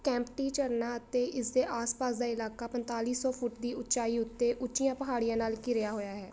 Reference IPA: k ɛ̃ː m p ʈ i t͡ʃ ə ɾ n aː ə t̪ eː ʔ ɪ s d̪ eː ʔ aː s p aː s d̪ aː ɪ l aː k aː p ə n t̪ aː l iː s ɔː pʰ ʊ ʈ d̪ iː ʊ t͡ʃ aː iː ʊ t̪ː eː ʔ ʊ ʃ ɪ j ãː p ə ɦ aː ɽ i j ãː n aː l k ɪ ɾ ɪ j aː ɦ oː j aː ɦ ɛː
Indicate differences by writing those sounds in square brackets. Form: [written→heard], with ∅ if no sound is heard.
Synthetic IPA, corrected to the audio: k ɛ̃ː m p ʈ [i→iː] t͡ʃ ə ɾ n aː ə t̪ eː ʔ ɪ s d̪ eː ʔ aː s p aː s d̪ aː ɪ l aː k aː p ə n t̪ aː l iː s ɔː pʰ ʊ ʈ d̪ iː ʊ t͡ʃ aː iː ʊ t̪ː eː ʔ ʊ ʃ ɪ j ãː p ə ɦ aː ɽ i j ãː n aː l k ɪ ɾ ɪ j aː ɦ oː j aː ɦ ɛː